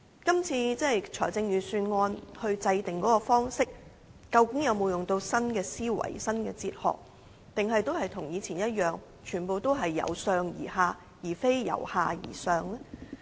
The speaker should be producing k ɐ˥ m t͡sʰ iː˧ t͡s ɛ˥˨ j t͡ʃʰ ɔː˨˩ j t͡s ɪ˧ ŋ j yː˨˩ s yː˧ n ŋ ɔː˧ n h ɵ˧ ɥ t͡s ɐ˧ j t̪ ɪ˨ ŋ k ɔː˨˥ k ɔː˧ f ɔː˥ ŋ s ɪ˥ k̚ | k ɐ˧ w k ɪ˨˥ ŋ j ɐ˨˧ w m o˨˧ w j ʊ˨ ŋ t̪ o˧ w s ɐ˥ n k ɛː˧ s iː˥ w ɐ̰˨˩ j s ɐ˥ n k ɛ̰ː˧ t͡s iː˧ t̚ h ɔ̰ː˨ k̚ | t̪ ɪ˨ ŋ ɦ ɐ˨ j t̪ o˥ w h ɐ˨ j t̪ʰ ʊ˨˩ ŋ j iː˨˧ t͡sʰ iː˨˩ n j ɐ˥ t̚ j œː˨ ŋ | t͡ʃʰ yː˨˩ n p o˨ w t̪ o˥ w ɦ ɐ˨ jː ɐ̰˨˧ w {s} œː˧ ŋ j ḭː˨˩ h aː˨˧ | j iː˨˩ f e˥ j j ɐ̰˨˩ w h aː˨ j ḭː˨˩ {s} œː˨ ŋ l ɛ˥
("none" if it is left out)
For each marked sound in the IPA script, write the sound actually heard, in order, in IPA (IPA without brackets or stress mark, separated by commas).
s, s